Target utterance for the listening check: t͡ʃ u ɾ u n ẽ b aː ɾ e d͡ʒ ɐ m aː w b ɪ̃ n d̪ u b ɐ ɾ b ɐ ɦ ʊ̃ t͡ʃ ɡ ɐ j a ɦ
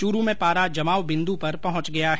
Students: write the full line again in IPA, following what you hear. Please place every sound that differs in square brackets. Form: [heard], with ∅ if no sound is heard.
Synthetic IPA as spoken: t͡ʃ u ɾ u [m] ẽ [p] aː ɾ [a] d͡ʒ ɐ m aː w b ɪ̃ n d̪ u [p] ɐ ɾ [p] ɐ ɦ ʊ̃ t͡ʃ ɡ ɐ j a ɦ